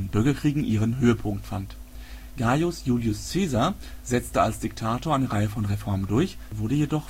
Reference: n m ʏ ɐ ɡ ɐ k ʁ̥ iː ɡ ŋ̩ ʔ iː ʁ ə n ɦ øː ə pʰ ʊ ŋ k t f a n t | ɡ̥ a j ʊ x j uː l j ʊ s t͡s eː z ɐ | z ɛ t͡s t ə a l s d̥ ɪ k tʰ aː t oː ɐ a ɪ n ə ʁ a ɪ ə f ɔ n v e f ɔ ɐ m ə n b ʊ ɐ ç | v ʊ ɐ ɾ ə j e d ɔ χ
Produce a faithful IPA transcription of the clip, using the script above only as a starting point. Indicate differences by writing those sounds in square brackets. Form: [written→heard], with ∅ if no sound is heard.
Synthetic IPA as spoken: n [m→b] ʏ ɐ ɡ ɐ k ʁ̥ iː ɡ ŋ̩ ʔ iː ʁ ə n ɦ øː ə pʰ ʊ ŋ k t f a n t | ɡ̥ a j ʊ [x→s] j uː l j ʊ s t͡s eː z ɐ | z ɛ t͡s t ə a l s d̥ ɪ k tʰ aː t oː ɐ a ɪ n ə ʁ a ɪ ə f ɔ n [v→ʁ] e f ɔ ɐ m ə n [b→d] ʊ ɐ ç | v ʊ ɐ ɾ ə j e d ɔ χ